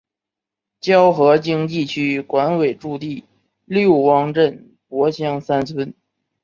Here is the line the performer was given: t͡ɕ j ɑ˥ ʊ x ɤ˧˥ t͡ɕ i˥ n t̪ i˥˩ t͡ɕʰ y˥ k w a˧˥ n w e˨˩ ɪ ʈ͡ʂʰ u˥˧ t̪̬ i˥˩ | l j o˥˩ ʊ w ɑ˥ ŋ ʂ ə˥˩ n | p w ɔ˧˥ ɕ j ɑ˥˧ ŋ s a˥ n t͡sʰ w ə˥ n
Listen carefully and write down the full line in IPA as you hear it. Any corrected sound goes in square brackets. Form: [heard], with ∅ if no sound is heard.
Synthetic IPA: t͡ɕ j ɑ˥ ʊ x ɤ˧˥ t͡ɕ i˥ [ŋ] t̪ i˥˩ t͡ɕʰ y˥ k w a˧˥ n w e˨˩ ɪ [ʈ͡ʂ] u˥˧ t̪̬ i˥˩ | l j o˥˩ ʊ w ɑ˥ ŋ [ʈ͡ʂ] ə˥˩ n | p w ɔ˧˥ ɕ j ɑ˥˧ ŋ s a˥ n t͡sʰ w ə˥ n

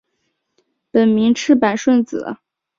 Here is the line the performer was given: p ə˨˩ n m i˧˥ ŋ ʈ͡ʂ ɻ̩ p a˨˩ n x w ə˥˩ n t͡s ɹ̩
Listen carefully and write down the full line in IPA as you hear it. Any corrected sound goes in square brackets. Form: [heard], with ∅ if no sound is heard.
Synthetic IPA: p ə˨˩ n m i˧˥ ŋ [ʈ͡ʂʰ] ɻ̩ p a˨˩ n [ʂ] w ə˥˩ n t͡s ɹ̩

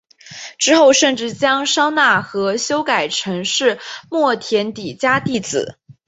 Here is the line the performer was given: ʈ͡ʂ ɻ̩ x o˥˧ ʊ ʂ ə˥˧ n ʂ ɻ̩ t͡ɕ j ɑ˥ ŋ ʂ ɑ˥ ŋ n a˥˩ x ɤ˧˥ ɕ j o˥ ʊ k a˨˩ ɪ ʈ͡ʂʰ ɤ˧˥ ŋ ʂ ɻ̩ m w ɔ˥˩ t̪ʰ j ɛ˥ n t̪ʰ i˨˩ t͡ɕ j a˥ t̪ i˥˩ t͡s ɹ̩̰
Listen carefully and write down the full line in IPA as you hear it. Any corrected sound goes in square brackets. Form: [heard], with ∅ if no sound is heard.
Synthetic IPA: ʈ͡ʂ ɻ̩ x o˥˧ ʊ ʂ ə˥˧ n [ʈ͡ʂ] ɻ̩ t͡ɕ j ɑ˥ ŋ ʂ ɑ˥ ŋ n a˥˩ x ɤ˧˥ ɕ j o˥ ʊ k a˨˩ ɪ ʈ͡ʂʰ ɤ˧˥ ŋ ʂ ɻ̩ m w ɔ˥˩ t̪ʰ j [ɛ˧˥] n [t̪] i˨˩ t͡ɕ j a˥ t̪ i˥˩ t͡s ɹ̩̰

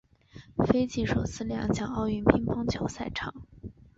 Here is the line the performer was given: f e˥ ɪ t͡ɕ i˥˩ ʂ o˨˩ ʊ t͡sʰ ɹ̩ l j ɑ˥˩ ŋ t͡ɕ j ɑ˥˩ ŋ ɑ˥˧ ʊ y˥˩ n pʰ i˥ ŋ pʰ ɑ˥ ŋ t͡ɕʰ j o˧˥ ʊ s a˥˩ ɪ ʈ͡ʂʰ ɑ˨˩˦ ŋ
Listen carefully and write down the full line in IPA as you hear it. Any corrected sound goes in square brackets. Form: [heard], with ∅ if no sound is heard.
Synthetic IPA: f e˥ ɪ t͡ɕ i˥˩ ʂ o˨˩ ʊ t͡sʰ ɹ̩ l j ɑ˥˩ ŋ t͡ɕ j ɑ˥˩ ŋ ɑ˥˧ ʊ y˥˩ n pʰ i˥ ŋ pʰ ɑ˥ ŋ t͡ɕʰ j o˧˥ ʊ s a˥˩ ɪ ʈ͡ʂʰ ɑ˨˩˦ ŋ

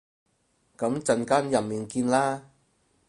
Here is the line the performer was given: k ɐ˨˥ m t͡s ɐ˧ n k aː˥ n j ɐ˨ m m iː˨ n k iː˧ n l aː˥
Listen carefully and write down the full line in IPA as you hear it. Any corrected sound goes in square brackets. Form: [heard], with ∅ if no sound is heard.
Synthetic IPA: k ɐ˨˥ m t͡s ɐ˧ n k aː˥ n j ɐ˨ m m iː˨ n k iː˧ n l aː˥

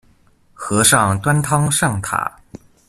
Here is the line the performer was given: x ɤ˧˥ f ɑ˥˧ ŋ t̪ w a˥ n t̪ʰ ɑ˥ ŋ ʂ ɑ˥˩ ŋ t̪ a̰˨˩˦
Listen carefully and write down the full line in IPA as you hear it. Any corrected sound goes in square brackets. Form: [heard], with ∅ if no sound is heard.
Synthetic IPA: x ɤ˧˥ [ʂ] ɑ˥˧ ŋ t̪ w a˥ n t̪ʰ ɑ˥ ŋ ʂ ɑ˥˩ ŋ [t̪ʰ] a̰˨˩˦

